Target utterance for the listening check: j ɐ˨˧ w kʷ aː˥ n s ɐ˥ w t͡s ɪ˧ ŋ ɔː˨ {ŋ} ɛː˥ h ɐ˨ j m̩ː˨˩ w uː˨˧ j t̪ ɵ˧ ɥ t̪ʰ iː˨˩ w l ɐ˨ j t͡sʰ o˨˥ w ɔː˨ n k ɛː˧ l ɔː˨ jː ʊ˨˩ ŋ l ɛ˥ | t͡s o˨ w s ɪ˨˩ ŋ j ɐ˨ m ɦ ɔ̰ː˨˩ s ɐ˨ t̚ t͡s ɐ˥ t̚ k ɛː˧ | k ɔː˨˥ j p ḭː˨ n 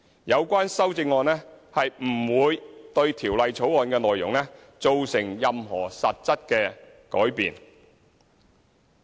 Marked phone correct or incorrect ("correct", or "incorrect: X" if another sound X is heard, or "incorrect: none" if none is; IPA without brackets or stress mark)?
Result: incorrect: n